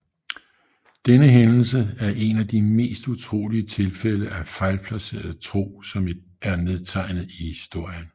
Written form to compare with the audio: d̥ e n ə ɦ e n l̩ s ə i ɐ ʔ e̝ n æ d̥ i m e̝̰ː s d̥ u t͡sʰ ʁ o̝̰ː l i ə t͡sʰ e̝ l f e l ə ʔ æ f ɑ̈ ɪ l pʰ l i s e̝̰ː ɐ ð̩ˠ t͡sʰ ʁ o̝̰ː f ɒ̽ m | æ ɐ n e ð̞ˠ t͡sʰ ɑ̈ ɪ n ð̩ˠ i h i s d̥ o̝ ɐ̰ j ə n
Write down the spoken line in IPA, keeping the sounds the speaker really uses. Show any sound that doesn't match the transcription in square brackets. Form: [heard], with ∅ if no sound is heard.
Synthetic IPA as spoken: d̥ e n ə ɦ e n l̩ s ə [æ] ɐ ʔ e̝ n æ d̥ i m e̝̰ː s d̥ u t͡sʰ ʁ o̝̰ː l i ə t͡sʰ e̝ l f e l ə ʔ æ f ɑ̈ ɪ l pʰ l [æ] s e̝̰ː ɐ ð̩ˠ t͡sʰ ʁ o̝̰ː [s] ɒ̽ m | æ ɐ n e ð̞ˠ t͡sʰ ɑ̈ ɪ n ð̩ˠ i h i s d̥ o̝ ɐ̰ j ə n